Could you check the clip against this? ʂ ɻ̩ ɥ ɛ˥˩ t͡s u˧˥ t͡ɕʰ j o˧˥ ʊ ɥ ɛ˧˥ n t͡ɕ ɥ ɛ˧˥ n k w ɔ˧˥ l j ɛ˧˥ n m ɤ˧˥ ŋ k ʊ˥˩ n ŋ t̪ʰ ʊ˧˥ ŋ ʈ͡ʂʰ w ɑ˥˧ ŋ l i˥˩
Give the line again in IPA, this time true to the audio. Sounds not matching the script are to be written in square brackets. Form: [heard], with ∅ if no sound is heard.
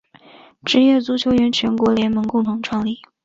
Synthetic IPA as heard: [ʈ͡ʂ] ɻ̩ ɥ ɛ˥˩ t͡s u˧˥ t͡ɕʰ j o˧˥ ʊ ɥ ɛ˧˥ n [t͡ɕʰ] ɥ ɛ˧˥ n k w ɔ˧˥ l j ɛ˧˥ n m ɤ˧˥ ŋ k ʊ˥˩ [∅] ŋ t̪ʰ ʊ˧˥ ŋ ʈ͡ʂʰ w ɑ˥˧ ŋ l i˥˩